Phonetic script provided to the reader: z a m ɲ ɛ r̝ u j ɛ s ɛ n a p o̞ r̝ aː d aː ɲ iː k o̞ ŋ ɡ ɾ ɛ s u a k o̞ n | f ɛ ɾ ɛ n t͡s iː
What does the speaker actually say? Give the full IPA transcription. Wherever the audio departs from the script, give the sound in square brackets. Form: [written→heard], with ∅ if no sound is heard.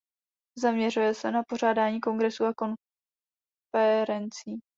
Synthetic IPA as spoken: z a m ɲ ɛ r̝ u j ɛ s ɛ n a p o̞ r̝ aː d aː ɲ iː k o̞ ŋ ɡ ɾ ɛ s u a k o̞ n | f ɛ ɾ ɛ n t͡s iː